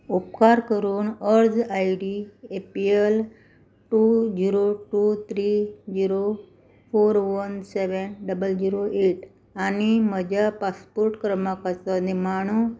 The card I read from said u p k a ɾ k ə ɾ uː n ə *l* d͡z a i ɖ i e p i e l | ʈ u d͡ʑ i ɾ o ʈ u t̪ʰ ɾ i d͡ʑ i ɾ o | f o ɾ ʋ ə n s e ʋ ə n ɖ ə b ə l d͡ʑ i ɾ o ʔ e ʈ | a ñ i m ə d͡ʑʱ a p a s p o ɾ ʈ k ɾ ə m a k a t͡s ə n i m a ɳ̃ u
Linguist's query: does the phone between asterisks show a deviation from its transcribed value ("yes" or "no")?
yes